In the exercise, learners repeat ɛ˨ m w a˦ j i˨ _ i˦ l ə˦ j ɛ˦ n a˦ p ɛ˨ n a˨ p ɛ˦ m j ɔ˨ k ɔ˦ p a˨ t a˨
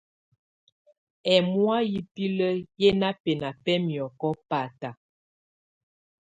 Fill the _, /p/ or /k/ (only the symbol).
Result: p